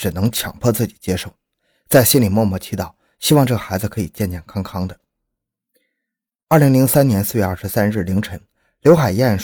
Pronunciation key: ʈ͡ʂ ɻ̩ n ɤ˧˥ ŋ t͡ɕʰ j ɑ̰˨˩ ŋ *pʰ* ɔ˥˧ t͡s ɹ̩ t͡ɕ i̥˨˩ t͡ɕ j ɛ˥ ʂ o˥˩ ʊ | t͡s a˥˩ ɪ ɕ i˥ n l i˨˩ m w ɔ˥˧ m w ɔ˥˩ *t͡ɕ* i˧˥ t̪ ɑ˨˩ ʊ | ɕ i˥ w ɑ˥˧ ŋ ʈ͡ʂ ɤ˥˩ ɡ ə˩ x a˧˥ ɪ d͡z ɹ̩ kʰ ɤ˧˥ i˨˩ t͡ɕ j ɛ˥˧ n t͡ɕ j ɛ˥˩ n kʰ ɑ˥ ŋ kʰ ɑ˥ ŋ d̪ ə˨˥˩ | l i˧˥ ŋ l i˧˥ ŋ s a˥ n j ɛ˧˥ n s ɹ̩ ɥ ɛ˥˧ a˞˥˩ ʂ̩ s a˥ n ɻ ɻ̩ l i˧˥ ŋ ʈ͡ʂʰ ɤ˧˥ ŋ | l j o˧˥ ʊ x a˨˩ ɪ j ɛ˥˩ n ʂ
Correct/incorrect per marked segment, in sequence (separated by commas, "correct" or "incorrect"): correct, incorrect